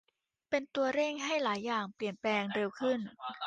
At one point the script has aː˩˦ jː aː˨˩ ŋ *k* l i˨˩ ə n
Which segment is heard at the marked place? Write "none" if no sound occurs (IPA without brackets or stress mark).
p